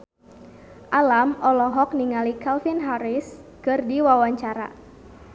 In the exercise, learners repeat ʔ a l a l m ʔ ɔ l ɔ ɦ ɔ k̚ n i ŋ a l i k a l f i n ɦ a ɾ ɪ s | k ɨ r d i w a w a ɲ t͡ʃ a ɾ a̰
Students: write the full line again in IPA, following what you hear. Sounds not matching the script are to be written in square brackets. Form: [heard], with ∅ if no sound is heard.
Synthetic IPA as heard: ʔ a l a [∅] m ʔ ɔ l ɔ ɦ ɔ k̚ n i ŋ a l i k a l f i n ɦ a ɾ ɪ s | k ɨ r d i w a w a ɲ t͡ʃ a ɾ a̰